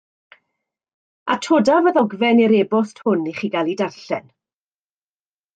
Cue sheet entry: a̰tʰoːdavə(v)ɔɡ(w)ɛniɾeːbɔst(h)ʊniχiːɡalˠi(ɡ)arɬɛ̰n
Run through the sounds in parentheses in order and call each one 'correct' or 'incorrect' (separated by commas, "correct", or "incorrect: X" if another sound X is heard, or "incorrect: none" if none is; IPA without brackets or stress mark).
incorrect: ð, incorrect: v, correct, incorrect: d